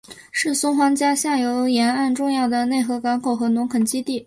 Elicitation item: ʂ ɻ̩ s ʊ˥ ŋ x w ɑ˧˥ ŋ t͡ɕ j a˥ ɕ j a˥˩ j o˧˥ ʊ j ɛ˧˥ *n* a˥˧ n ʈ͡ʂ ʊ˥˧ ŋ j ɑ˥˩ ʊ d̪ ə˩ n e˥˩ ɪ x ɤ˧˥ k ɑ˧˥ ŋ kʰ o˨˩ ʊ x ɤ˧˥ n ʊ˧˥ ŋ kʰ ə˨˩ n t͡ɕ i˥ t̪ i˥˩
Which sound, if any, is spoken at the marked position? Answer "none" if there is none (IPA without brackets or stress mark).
n